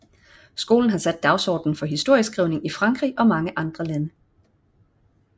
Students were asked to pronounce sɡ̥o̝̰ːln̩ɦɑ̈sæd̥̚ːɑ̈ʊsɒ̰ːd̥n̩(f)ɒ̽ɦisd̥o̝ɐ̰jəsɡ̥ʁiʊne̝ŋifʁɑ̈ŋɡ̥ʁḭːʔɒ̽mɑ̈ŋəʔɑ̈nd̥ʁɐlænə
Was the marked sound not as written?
no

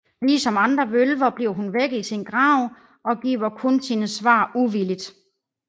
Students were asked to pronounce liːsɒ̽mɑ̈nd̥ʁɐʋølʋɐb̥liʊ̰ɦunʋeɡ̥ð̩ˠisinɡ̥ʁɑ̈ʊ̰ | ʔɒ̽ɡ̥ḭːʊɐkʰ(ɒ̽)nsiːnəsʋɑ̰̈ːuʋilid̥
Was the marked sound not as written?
yes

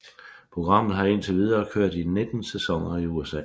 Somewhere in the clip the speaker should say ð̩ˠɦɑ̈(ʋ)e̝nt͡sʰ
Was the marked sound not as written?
yes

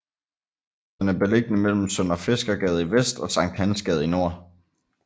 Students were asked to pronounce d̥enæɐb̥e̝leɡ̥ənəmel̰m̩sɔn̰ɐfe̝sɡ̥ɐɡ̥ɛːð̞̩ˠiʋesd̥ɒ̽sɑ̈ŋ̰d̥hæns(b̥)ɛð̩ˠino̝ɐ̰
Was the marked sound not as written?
yes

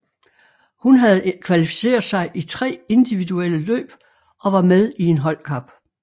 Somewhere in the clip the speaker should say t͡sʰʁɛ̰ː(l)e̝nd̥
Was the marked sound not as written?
yes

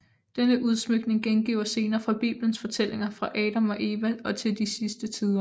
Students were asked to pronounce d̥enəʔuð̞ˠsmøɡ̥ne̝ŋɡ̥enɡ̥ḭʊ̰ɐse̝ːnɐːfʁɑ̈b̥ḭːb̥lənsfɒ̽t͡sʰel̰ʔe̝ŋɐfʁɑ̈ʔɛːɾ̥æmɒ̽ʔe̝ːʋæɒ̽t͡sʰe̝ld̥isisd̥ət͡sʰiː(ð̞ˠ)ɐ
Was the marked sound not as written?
no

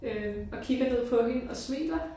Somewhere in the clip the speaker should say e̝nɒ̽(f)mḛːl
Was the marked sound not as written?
yes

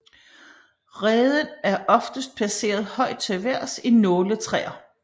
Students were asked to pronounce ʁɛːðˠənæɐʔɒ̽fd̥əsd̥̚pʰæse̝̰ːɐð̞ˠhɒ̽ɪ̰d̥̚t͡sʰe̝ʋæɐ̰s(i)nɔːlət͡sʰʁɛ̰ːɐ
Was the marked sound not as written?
no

